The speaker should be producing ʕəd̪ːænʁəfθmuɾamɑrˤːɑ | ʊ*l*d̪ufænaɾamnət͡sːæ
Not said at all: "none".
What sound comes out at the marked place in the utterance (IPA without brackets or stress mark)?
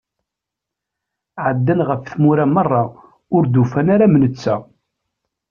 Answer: ɾ